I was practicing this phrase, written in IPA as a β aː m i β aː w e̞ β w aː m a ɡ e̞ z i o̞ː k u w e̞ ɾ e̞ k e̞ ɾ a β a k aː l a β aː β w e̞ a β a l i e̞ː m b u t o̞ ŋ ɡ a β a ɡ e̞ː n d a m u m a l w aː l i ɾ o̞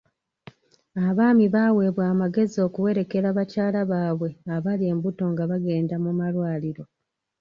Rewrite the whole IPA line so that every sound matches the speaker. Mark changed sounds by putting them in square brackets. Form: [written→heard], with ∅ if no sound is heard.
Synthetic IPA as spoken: a β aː m i β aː w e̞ β w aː m a ɡ e̞ z i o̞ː k u w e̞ ɾ e̞ k e̞ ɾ a β a [k→c] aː l a β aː β w e̞ a β a l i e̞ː m b u t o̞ ŋ ɡ a β a ɡ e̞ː n d a m u m a l w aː l i ɾ o̞